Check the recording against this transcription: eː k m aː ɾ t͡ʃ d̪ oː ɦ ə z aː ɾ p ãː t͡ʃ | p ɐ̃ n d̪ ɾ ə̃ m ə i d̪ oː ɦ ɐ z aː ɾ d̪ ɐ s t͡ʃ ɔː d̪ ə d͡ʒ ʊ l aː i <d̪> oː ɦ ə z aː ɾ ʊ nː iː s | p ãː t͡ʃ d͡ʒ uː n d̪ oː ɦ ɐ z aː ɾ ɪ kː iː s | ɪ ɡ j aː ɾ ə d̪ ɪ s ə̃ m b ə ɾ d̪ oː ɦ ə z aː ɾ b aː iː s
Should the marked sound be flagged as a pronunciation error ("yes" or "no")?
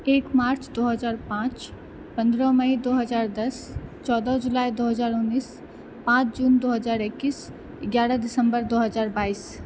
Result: no